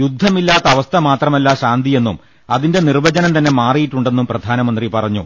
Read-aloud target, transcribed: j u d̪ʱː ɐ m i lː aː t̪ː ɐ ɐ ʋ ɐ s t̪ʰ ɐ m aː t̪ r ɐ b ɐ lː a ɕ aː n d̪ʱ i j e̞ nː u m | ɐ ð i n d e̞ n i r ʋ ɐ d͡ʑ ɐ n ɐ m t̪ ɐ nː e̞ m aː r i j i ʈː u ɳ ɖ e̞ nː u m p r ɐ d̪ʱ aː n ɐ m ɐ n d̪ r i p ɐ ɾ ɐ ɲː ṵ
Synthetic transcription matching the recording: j u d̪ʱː ɐ m i lː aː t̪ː ɐ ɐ ʋ ɐ s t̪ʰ ɐ m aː t̪ r ɐ m ɐ lː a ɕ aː n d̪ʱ i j e̞ nː u m | ɐ ð i n d e̞ n i r ʋ ɐ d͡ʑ ɐ n ɐ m t̪ ɐ nː e̞ m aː r i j i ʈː u ɳ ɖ e̞ nː u m p r ɐ d̪ʱ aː n ɐ m ɐ n d̪ r i p ɐ r ɐ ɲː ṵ